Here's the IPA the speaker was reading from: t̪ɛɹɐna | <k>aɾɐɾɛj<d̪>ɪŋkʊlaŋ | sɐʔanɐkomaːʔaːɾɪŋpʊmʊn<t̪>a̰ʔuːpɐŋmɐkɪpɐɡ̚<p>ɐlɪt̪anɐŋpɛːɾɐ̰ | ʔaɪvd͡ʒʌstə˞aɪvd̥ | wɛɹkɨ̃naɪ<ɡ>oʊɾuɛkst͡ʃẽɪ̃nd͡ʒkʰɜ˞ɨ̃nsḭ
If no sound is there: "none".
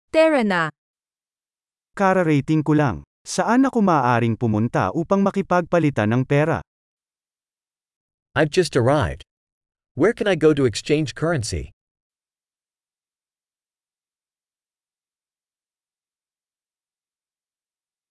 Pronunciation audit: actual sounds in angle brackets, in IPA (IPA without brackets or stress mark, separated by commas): k, t̪, t̪, p, ɡ